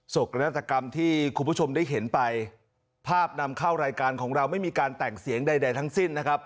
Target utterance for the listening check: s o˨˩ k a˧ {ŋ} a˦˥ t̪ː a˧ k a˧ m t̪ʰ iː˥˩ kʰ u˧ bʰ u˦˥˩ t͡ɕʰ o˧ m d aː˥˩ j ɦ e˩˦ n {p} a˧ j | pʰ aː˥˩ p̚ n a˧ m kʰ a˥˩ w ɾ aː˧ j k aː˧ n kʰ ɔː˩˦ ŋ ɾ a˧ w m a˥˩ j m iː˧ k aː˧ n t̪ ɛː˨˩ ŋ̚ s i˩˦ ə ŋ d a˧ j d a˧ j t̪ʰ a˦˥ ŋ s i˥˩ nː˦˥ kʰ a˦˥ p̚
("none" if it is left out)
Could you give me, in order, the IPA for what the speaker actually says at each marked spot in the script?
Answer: n, p

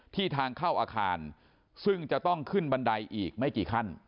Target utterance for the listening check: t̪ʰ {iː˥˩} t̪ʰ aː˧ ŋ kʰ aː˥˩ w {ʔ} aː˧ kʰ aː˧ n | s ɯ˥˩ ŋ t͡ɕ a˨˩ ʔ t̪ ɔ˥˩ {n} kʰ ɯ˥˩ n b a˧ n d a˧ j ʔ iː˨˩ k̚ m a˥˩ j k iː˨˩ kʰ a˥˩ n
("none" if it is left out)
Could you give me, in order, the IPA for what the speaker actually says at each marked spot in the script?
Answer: iː˥˩, ʔ, ŋ

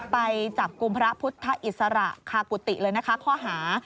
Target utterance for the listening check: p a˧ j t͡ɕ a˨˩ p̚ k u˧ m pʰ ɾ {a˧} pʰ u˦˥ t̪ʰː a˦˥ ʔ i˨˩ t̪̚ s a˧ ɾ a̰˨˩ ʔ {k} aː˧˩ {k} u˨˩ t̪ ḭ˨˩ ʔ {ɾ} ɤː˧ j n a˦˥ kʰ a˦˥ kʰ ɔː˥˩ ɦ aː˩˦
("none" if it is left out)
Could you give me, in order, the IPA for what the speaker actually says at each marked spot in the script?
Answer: a˦˥, kʰ, k, l

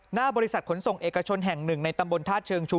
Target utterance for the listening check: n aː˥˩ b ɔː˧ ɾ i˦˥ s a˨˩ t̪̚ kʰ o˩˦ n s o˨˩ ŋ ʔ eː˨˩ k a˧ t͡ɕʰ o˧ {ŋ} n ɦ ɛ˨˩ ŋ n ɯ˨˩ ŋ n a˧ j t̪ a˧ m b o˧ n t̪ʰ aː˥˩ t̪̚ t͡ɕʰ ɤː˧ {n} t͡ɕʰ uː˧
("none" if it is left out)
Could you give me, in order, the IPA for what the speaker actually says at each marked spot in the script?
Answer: none, ŋ

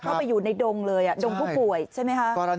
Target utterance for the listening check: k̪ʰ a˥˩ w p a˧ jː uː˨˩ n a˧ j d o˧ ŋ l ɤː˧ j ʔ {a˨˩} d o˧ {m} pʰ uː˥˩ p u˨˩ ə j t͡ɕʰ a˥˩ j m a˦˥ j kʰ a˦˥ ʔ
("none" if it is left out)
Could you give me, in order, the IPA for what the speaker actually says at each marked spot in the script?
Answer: a˨˩, ŋ

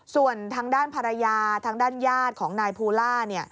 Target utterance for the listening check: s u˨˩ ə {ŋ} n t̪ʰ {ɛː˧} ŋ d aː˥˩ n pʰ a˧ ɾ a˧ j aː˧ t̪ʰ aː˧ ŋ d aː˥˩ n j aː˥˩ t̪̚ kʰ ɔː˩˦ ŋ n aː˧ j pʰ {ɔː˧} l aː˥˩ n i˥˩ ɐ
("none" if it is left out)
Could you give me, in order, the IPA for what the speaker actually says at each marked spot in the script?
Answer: none, aː˧, uː˧

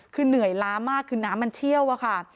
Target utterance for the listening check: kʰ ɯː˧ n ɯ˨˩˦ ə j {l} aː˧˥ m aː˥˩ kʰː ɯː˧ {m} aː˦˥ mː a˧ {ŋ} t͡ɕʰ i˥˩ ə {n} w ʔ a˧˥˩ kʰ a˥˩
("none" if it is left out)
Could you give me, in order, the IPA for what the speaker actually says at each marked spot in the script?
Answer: l, n, n, none

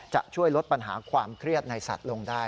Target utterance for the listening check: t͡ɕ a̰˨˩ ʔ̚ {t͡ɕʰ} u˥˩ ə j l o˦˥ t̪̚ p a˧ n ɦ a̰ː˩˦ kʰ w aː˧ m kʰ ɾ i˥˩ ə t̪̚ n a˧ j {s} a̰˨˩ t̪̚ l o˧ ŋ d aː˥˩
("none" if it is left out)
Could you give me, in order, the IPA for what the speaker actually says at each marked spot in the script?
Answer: t͡ɕʰ, s

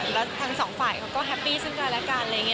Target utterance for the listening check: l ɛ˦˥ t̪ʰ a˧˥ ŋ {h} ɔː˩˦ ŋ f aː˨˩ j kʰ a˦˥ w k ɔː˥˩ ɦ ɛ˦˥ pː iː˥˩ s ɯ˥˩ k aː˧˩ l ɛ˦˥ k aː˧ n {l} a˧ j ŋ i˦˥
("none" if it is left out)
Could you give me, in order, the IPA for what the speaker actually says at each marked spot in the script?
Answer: s, l

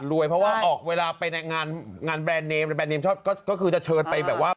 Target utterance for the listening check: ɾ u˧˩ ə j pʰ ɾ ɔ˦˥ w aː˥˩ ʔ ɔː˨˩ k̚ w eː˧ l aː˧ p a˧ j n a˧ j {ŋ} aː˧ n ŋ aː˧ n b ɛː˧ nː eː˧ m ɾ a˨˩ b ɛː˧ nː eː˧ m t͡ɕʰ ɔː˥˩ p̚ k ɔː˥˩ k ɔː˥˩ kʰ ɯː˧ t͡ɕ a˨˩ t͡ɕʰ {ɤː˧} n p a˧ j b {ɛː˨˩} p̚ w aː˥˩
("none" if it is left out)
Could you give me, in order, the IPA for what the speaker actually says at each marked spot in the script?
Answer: ŋ, ɤː˧, ɛː˨˩

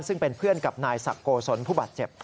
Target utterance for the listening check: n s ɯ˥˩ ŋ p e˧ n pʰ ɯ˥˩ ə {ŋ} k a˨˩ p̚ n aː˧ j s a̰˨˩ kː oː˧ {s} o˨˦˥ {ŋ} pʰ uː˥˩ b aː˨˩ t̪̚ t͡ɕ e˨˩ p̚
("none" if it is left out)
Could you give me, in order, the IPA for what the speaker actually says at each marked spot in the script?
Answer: n, s, n

